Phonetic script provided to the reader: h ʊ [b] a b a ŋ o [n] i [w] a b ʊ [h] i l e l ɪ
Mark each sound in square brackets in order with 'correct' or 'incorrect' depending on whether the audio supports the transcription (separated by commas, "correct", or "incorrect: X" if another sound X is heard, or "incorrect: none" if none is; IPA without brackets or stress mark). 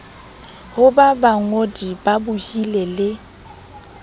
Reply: correct, incorrect: d, incorrect: b, correct